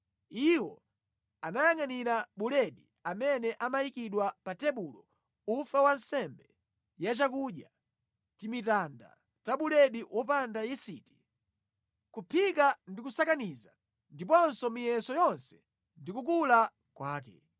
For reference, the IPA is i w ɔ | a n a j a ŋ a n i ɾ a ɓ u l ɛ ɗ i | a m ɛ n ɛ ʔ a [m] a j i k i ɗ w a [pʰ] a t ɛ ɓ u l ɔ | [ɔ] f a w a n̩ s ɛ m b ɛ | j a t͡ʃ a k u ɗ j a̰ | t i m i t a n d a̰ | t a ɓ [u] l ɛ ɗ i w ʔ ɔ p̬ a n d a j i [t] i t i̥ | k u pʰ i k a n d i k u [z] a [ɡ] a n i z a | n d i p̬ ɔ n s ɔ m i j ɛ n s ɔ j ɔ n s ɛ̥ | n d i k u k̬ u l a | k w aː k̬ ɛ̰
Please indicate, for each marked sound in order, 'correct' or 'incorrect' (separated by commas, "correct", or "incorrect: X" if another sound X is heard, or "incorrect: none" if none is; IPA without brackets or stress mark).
correct, incorrect: p, incorrect: u, correct, incorrect: s, incorrect: s, incorrect: k